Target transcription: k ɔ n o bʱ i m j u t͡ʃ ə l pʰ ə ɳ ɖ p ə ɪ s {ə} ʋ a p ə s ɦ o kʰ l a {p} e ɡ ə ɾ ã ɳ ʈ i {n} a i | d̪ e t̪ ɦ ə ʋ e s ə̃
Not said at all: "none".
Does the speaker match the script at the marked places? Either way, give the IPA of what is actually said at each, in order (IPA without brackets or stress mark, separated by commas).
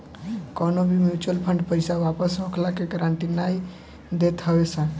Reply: a, k, n